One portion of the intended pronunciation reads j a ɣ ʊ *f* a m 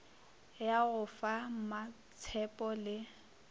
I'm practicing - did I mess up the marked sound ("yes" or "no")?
no